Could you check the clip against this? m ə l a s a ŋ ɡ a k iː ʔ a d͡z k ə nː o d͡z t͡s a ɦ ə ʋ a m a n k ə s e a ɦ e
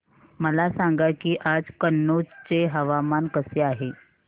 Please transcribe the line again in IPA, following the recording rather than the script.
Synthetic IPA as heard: m ə l a s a ŋ ɡ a k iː ʔ a d͡z k ə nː o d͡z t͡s e ɦ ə ʋ a m a n k ə s e a ɦ e